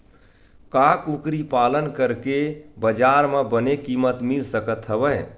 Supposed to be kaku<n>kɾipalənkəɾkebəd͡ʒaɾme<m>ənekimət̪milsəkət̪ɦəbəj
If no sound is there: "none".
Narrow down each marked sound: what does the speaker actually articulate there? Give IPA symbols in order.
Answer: none, b

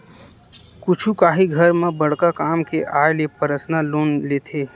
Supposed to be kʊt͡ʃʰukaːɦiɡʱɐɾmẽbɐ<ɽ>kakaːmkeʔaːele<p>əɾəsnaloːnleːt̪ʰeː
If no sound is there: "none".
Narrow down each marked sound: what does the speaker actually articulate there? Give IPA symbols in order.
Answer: ɽ, p

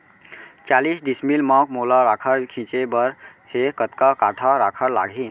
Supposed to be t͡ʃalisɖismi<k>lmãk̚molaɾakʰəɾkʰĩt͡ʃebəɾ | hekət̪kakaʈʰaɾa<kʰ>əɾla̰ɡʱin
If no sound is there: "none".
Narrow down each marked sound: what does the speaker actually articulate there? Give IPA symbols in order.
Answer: none, kʰ

